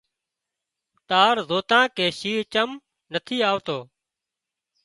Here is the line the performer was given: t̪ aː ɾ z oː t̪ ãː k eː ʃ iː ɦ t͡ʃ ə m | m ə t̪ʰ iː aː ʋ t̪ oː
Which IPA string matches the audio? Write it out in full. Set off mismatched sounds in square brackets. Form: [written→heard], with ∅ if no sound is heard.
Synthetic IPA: t̪ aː ɾ z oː t̪ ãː k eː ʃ iː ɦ t͡ʃ ə m | [m→n] ə t̪ʰ iː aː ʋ t̪ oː